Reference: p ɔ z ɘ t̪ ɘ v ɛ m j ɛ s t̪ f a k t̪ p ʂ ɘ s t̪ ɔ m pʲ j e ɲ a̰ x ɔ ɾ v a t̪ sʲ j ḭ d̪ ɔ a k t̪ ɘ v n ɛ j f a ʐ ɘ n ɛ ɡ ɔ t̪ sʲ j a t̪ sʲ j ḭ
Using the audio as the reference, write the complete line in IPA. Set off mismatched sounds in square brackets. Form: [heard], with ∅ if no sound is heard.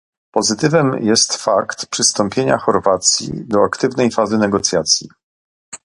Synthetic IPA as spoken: p ɔ z ɘ t̪ ɘ v ɛ m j ɛ s t̪ f a k t̪ p ʂ ɘ s t̪ ɔ m pʲ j e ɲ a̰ x ɔ ɾ v a t̪ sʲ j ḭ d̪ ɔ a k t̪ ɘ v n ɛ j f a [z] ɘ n ɛ ɡ ɔ t̪ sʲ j a t̪ sʲ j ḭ